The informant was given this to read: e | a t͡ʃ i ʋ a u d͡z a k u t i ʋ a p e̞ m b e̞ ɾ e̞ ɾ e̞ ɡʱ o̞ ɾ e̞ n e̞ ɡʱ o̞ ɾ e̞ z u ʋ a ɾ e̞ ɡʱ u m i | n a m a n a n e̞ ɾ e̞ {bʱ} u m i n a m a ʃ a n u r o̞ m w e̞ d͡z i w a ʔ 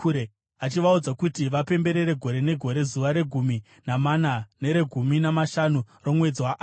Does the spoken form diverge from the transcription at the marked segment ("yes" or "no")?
yes